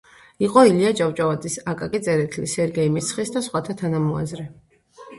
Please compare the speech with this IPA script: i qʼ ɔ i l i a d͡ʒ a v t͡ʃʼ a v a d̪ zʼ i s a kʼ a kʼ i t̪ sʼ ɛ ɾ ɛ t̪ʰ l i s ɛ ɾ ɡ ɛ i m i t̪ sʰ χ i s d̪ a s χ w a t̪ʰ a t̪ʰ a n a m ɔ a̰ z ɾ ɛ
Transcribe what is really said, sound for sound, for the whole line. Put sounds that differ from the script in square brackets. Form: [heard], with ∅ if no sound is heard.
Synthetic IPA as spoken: i qʼ ɔ i l i a d͡ʒ a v t͡ʃʼ a v a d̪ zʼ i s a kʼ a kʼ i t̪ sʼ ɛ ɾ ɛ t̪ʰ l i s ɛ ɾ ɡ ɛ i m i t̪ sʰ χ i s d̪ a s χ w a t̪ʰ a t̪ʰ a n a m ɔ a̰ z ɾ ɛ